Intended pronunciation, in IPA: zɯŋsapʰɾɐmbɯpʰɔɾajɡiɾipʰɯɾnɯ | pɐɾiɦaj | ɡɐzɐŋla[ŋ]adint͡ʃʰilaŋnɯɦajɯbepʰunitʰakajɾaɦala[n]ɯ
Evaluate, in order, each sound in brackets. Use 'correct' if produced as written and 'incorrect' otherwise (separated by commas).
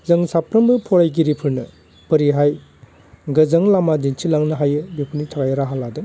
incorrect, incorrect